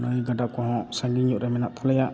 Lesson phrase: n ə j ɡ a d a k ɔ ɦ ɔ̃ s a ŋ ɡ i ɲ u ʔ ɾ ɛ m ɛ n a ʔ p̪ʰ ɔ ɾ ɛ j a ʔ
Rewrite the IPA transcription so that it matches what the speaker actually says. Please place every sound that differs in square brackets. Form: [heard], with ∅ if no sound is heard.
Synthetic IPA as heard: n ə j ɡ a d a k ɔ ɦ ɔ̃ s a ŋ ɡ i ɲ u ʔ ɾ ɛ m ɛ n a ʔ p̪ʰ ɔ [l] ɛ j a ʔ